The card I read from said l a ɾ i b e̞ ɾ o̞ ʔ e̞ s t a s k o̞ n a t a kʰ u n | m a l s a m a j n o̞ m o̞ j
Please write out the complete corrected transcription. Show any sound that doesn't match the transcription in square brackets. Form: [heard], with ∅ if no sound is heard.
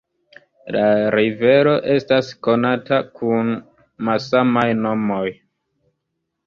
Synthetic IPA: l a ɾ i [v] e̞ ɾ o̞ ʔ e̞ s t a s k o̞ n a t a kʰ u n | m a l s a m a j n o̞ m o̞ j